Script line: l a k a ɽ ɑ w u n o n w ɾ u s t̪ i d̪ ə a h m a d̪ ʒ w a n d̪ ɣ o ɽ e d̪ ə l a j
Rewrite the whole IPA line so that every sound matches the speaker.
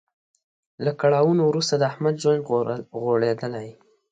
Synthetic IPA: l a k a ɽ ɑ w u n o w ɾ u s t̪ a d̪ ə a h m a d̪ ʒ w a n d̪ ɣ o ɽ e d̪ ə l a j